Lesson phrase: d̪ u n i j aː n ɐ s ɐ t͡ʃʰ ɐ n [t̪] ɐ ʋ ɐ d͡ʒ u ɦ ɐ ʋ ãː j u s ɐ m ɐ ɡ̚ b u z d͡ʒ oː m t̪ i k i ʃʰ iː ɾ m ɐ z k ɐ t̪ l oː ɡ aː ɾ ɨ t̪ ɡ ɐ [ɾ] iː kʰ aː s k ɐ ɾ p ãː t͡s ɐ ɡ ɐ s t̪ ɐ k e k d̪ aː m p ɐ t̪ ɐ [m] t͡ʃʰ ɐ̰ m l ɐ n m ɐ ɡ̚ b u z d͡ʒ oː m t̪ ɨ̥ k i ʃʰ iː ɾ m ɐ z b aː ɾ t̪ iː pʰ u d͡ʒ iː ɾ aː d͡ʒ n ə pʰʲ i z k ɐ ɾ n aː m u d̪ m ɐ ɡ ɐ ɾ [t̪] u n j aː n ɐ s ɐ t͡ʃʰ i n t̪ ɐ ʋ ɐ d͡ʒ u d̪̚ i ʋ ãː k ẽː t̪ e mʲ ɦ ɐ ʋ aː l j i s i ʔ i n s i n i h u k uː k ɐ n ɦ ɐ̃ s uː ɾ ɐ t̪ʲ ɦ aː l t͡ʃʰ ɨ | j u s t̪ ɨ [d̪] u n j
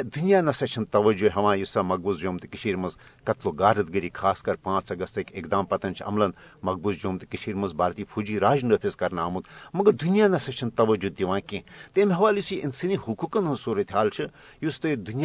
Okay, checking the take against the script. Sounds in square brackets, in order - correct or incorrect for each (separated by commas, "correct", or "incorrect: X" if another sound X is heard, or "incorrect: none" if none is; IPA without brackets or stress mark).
correct, correct, incorrect: n, incorrect: d̪, correct